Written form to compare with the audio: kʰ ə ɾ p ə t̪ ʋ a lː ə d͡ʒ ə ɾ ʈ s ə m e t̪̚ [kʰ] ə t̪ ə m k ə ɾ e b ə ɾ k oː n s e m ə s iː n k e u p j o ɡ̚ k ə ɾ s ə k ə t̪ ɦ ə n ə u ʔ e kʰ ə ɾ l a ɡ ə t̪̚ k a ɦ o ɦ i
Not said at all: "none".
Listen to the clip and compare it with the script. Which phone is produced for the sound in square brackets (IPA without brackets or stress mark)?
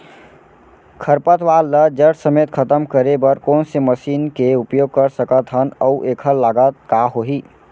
kʰ